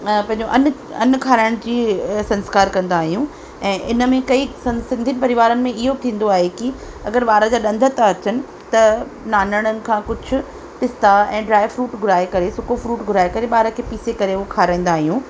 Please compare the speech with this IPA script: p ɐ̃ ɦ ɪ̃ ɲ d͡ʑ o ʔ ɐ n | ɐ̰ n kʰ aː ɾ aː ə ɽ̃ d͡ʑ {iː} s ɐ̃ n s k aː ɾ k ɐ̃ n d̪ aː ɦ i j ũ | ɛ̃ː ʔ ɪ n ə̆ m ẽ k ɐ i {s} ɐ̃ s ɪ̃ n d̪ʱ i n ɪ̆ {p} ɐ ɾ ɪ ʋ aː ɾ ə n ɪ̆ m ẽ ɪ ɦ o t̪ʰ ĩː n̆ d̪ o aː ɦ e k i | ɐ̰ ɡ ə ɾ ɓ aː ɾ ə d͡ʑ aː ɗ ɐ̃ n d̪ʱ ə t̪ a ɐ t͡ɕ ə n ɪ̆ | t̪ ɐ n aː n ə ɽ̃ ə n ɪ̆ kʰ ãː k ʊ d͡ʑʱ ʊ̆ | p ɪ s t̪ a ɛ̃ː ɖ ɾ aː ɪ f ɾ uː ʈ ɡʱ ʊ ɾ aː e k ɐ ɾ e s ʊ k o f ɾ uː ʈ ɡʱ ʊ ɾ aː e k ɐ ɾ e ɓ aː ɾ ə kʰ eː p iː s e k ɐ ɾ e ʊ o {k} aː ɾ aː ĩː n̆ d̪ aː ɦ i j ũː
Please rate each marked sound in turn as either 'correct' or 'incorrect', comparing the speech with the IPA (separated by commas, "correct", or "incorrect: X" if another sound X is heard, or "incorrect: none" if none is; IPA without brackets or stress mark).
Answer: correct, correct, correct, incorrect: kʰ